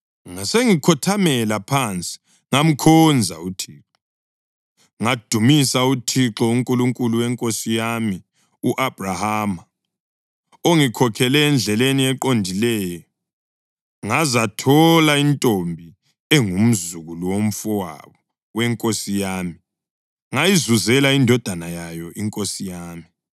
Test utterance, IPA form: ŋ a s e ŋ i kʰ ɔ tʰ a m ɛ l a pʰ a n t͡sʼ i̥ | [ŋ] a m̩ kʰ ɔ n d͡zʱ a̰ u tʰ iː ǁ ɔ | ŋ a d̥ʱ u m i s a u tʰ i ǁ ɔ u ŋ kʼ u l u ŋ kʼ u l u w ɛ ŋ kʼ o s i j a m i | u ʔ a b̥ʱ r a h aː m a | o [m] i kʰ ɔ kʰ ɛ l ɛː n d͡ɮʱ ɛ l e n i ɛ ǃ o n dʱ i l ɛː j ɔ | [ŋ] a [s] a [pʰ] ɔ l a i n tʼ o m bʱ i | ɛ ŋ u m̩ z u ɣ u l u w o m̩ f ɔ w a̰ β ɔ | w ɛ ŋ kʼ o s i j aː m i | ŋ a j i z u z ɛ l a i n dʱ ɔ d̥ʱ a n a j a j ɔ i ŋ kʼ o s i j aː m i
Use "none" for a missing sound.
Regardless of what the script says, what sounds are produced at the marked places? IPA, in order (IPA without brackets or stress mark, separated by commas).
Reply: ŋ, ŋ, ŋ, z, tʰ